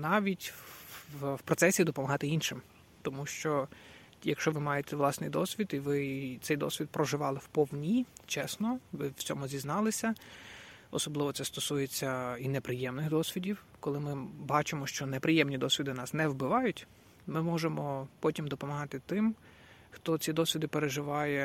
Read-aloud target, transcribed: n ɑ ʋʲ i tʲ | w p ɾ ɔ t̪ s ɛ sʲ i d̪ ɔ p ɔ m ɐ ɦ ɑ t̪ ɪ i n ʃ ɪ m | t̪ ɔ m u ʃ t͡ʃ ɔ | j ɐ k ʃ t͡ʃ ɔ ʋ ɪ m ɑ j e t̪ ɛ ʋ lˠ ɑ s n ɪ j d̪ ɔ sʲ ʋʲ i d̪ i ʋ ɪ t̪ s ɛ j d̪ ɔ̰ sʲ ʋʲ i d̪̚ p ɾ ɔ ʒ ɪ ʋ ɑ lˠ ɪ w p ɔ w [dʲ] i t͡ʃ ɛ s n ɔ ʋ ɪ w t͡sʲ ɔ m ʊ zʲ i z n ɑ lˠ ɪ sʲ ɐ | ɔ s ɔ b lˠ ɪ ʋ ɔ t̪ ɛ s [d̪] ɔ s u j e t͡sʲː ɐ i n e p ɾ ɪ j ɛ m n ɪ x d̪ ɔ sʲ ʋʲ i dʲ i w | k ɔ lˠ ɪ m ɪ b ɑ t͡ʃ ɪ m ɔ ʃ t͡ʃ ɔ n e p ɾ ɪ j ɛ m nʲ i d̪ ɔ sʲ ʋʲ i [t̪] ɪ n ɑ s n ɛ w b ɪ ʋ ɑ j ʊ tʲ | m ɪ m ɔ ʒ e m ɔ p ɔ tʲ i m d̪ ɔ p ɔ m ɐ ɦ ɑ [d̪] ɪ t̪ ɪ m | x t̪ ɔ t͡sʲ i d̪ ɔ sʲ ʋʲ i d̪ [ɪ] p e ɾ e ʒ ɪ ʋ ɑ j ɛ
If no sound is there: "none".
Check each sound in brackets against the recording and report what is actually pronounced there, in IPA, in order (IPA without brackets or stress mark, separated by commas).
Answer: nʲ, t̪, d̪, t̪, ɪ